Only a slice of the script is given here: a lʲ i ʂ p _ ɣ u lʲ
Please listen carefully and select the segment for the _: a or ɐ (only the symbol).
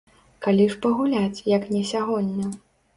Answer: ɐ